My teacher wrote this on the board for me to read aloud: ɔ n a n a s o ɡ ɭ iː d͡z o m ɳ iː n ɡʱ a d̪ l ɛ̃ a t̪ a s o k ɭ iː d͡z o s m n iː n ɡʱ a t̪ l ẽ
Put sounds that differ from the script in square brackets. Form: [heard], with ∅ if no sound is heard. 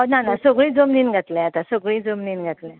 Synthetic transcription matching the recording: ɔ n a n a s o ɡ ɭ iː d͡z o m [n] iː n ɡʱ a [t̪] l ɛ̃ a t̪ a s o [ɡ] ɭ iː d͡z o [∅] m n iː n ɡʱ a t̪ l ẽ